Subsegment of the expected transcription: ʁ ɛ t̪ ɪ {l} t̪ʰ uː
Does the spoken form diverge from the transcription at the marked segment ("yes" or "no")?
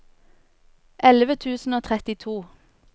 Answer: yes